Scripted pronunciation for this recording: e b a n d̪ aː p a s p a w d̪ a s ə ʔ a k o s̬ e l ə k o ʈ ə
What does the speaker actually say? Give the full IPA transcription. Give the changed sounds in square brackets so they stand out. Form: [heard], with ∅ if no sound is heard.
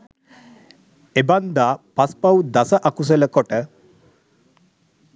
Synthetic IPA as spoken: e b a n d̪ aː p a s p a w d̪ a s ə ʔ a k [u] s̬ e l ə k o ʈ ə